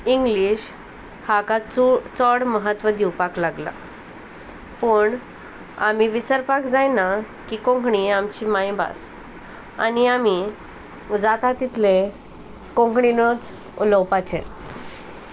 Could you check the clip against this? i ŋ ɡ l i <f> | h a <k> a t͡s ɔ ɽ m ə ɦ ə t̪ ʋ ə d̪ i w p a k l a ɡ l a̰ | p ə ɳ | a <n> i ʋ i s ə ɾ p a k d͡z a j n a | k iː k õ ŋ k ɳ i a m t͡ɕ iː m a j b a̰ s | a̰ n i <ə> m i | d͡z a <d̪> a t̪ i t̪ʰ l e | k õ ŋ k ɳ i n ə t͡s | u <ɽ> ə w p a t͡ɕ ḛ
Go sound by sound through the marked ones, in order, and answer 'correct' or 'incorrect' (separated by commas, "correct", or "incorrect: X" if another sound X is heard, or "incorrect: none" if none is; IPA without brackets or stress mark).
incorrect: ɕ, correct, incorrect: m, incorrect: a, incorrect: t̪, incorrect: l